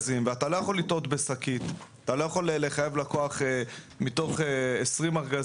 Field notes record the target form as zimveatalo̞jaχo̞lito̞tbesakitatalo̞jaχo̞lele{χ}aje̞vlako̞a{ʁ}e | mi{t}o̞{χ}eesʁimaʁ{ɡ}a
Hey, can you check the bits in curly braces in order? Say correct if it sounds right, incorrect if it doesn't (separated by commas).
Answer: correct, incorrect, correct, correct, correct